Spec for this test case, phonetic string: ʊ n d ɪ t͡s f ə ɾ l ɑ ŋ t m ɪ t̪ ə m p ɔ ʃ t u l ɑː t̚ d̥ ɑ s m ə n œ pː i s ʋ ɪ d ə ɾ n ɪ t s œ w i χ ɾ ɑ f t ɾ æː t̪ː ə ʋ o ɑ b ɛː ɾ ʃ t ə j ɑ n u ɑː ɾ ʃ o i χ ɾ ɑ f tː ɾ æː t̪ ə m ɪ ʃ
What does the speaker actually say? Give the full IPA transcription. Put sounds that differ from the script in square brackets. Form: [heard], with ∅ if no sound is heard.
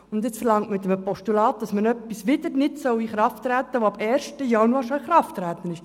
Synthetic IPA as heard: ʊ n d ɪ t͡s f ə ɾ l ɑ ŋ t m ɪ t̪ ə m p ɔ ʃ t u l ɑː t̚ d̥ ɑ s m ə n œ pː i s ʋ ɪ d ə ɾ n ɪ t s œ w i χ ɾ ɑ f t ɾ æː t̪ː ə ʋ o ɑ b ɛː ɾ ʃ t ə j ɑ n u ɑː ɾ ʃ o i χ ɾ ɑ f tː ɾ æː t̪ ə [n] ɪ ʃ